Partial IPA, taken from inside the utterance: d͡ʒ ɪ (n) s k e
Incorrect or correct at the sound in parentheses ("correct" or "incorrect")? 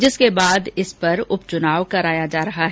incorrect